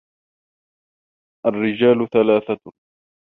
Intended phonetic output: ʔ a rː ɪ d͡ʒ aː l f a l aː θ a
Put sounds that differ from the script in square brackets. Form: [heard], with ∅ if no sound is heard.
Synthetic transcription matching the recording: ʔ a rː ɪ d͡ʒ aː l [θ] a l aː θ a